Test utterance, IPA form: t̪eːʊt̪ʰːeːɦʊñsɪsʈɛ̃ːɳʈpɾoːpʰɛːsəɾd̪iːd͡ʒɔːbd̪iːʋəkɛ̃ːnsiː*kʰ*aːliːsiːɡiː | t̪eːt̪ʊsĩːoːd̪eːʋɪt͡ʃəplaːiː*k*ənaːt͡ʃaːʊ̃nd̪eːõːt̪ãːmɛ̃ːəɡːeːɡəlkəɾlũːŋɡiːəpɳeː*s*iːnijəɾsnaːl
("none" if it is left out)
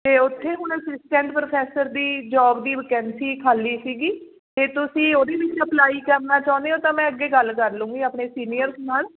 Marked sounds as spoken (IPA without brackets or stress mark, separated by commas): kʰ, k, s